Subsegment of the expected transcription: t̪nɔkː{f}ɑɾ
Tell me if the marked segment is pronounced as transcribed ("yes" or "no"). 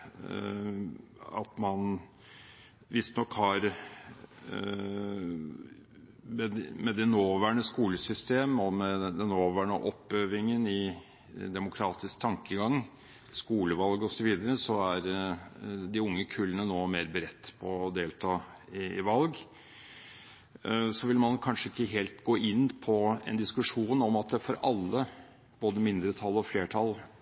no